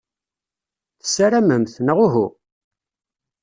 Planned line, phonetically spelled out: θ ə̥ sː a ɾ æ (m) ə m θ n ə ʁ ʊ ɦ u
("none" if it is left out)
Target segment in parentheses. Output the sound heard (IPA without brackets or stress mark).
m